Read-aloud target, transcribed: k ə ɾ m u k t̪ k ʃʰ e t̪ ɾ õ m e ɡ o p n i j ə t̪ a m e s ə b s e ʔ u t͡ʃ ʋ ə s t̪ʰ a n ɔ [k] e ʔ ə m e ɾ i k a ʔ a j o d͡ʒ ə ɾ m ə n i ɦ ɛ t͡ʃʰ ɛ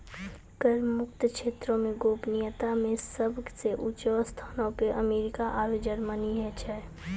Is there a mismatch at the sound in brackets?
yes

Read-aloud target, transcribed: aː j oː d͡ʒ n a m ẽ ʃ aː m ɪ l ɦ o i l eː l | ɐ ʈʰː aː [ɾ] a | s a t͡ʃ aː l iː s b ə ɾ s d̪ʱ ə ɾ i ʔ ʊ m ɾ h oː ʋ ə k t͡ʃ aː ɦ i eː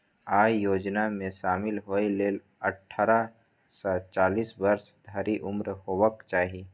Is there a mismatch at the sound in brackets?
no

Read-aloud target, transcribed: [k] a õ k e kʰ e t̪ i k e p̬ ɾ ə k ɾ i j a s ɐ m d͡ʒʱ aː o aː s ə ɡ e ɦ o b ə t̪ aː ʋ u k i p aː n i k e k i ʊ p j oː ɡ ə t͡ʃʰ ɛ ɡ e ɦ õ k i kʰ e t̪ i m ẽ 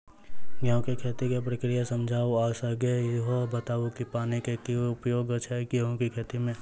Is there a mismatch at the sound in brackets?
yes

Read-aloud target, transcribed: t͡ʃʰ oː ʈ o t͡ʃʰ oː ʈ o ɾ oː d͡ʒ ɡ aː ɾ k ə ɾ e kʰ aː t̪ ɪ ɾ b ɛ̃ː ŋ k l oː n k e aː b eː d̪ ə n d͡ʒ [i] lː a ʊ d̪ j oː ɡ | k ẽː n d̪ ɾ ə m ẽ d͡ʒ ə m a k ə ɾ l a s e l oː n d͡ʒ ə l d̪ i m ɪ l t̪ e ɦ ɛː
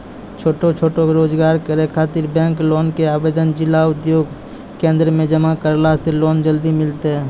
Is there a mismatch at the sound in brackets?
yes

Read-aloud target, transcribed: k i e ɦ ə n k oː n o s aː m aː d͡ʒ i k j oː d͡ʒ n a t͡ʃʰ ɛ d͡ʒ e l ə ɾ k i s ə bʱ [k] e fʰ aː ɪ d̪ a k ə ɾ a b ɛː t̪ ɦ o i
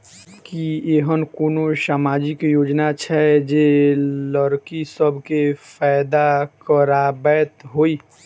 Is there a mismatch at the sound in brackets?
no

